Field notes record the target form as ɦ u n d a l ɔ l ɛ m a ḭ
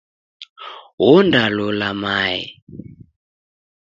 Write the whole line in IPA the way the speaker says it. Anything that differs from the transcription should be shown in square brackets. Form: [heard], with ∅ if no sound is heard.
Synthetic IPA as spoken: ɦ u n d a l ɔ l [a] m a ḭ

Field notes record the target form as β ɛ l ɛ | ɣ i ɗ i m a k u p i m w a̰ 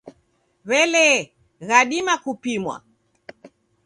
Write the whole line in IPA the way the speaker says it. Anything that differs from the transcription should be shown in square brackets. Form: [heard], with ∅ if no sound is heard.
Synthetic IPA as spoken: β ɛ l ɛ | ɣ [a] ɗ i m a k u p i m w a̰

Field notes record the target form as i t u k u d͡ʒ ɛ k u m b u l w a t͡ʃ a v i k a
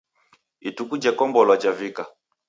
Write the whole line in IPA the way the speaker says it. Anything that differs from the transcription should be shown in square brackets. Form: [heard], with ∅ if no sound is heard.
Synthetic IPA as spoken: i t u k u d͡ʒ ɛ k [ɔ] m b [ɔ] l w a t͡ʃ a v i k a

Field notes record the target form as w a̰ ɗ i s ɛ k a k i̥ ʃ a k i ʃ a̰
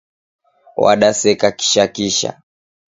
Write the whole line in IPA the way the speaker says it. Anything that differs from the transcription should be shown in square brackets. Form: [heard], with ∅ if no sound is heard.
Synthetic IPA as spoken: w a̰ ɗ [a] s ɛ k a k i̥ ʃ a k i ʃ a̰

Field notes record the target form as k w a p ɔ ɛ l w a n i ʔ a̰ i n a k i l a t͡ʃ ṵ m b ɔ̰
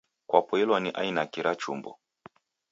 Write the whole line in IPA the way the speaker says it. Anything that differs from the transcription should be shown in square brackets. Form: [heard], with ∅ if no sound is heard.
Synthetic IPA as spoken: k w a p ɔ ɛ l w a n i ʔ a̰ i n a k i [ɾ] a t͡ʃ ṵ m b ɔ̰

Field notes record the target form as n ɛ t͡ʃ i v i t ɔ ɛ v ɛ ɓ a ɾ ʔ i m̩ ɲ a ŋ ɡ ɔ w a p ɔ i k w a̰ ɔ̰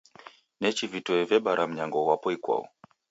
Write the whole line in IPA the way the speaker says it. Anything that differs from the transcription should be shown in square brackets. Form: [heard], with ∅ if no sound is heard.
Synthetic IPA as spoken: n ɛ t͡ʃ i v i t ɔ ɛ v ɛ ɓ a ɾ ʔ [a] m̩ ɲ a ŋ ɡ ɔ w a p ɔ i k w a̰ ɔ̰

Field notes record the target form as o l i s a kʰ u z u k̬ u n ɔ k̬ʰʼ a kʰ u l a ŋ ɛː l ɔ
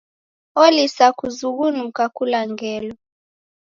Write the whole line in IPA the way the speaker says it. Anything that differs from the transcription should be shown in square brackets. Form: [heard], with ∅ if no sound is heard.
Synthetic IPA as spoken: o l i s a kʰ u z u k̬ u n [u] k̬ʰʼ a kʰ u l a ŋ ɛː l ɔ

